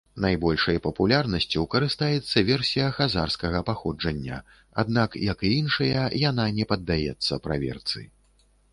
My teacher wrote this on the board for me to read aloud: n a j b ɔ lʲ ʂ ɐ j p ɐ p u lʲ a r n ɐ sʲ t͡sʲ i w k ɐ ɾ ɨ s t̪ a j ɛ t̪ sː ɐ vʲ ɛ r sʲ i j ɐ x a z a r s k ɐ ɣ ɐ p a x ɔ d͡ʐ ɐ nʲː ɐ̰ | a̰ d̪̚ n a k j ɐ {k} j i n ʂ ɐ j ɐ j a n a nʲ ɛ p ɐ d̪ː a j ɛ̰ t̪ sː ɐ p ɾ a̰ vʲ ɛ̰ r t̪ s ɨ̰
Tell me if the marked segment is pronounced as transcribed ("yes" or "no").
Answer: yes